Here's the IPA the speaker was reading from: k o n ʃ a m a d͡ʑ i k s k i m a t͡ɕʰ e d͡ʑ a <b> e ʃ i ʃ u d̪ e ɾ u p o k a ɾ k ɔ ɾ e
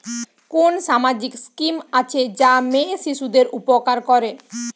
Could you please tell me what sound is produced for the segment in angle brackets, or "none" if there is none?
m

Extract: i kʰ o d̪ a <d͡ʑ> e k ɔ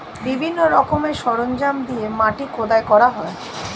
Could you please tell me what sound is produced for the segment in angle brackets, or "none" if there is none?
none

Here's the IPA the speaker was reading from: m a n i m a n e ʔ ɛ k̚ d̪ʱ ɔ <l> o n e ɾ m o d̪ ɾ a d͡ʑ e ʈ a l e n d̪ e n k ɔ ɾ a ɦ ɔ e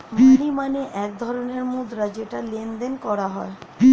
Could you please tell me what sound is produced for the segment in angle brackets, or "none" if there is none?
ɾ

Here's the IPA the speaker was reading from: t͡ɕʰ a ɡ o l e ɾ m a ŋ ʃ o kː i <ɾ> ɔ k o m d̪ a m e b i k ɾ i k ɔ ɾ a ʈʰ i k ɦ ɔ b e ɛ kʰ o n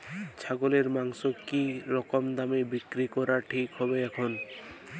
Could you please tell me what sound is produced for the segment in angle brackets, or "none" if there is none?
ɾ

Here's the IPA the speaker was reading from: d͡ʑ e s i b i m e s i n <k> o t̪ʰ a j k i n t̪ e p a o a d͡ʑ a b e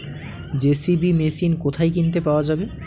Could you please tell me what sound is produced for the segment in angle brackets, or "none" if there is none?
k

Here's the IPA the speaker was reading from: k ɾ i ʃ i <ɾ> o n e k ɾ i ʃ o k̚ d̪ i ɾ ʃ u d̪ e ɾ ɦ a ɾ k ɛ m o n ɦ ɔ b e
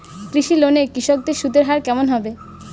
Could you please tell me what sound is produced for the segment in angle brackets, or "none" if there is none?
l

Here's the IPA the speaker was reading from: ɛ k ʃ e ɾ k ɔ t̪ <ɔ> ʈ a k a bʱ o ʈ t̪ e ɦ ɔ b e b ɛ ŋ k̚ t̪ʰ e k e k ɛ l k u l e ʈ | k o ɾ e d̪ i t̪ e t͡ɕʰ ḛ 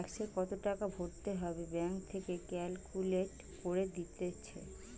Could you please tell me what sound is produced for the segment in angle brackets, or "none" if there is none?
o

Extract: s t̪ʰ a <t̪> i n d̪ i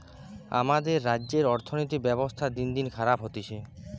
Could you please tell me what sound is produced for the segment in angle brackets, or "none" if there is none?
d̪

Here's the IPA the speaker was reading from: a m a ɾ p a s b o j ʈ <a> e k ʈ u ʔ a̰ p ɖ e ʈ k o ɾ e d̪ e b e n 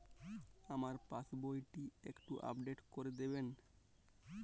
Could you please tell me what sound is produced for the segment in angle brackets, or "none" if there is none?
i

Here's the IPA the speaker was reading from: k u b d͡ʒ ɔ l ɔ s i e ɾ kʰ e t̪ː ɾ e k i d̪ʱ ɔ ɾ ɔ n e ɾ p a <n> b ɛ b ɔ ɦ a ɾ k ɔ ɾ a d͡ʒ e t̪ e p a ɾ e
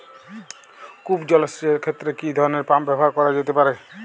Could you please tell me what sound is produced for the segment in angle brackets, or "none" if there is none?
m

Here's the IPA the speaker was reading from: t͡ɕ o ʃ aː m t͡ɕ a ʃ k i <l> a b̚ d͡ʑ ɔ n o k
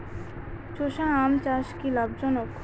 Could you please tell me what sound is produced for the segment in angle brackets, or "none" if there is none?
l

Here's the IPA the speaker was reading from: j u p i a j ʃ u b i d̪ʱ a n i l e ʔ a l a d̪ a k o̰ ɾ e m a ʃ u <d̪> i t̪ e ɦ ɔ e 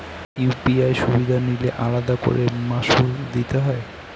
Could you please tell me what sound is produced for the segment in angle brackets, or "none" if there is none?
d̪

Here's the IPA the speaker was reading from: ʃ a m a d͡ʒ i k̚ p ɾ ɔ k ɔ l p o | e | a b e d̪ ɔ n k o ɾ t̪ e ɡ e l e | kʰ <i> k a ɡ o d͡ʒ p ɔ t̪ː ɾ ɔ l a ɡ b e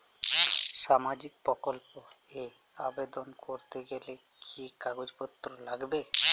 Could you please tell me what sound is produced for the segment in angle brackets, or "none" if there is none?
i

